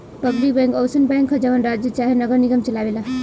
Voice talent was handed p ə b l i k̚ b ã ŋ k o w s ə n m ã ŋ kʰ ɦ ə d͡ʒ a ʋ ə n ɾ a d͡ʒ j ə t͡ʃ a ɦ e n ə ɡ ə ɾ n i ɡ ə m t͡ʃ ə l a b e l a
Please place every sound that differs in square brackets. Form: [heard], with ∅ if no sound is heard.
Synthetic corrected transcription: p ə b l i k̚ b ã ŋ k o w s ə n [b] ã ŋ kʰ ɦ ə d͡ʒ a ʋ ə n ɾ a d͡ʒ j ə t͡ʃ a ɦ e n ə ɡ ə ɾ n i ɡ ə m t͡ʃ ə l a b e l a